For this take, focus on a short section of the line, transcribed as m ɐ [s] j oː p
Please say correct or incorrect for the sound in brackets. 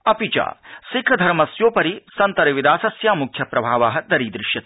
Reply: correct